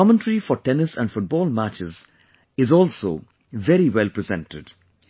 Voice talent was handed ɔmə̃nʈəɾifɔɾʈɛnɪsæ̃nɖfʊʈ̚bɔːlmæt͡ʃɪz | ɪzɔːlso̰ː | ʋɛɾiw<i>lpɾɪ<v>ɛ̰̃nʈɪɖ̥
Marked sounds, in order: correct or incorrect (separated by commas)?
incorrect, incorrect